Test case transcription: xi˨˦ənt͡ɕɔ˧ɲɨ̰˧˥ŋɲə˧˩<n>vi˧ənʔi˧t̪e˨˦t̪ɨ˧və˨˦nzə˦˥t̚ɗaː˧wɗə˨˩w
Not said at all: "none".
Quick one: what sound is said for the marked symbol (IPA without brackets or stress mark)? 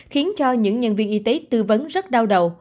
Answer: n